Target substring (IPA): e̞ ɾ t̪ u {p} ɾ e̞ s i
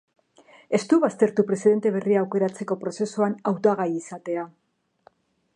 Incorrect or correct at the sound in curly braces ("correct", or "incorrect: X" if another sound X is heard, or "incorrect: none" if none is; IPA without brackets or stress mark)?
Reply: correct